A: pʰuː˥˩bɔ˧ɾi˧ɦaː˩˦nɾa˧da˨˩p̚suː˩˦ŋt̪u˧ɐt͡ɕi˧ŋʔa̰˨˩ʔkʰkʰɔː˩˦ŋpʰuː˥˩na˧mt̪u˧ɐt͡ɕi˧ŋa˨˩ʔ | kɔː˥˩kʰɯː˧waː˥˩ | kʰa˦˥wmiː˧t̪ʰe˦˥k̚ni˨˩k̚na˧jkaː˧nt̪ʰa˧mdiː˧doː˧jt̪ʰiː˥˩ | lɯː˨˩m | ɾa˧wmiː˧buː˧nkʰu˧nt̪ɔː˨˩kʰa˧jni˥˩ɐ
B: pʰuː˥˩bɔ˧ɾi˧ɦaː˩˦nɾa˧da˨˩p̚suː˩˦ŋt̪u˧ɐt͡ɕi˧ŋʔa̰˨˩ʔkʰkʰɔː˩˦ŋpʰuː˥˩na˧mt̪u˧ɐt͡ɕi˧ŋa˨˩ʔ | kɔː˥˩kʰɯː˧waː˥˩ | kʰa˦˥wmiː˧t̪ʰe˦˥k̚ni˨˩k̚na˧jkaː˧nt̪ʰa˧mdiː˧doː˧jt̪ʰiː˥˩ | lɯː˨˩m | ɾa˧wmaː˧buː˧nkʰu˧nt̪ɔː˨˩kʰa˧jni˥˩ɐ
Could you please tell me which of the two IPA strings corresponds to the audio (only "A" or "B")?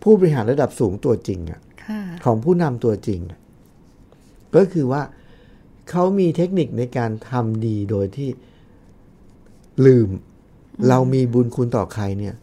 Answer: A